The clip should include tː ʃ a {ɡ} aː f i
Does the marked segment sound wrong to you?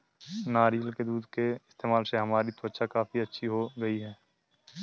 yes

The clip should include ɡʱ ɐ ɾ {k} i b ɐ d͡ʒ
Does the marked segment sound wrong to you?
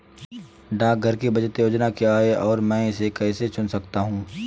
no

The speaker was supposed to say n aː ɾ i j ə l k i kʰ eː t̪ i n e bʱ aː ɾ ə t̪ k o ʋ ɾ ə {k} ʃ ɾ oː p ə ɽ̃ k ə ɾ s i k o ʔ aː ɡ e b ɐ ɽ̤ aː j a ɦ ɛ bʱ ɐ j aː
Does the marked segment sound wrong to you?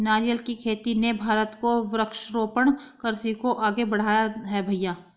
no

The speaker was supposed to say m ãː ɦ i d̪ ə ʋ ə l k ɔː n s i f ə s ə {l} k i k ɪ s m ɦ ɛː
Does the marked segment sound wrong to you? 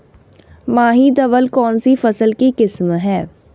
no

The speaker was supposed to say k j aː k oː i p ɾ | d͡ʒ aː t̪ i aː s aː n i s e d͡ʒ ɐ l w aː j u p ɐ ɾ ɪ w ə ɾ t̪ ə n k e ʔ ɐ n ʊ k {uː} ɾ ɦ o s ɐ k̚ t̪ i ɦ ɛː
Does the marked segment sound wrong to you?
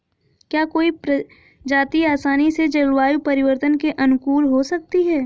no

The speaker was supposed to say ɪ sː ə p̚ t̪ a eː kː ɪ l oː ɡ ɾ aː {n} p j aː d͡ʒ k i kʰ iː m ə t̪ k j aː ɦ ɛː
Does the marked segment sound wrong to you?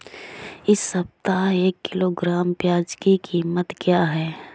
yes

